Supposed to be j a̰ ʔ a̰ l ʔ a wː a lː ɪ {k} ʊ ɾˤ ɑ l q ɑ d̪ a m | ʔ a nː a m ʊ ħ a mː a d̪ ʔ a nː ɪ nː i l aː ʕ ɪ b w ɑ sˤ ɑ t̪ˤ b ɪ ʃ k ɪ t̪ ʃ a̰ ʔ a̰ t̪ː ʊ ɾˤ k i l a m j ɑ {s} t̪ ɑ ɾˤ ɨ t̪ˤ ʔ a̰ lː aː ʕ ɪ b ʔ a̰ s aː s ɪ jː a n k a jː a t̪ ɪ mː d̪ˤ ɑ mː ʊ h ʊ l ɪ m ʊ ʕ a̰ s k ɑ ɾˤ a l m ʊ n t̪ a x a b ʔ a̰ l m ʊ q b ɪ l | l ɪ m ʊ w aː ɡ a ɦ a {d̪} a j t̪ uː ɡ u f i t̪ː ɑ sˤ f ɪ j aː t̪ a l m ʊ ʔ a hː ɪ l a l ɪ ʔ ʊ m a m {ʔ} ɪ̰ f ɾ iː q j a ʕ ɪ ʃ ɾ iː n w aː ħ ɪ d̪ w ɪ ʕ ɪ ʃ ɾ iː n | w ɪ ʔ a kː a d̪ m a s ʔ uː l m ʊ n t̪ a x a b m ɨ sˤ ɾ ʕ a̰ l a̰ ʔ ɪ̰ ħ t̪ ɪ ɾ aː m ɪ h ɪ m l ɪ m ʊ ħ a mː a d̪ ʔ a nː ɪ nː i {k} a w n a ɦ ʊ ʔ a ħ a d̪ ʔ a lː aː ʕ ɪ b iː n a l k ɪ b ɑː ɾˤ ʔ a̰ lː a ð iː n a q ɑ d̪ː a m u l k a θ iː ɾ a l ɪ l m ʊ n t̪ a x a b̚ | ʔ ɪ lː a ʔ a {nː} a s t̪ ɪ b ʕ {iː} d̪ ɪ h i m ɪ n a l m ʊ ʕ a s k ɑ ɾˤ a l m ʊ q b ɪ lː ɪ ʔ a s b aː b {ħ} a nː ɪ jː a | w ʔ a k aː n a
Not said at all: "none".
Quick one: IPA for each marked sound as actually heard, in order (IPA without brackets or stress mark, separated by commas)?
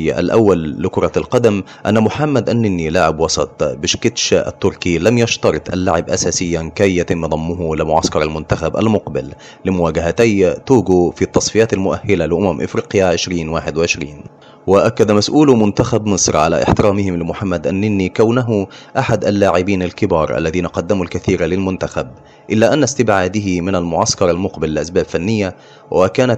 k, ʃ, t̪, ʔ, k, nː, aː, f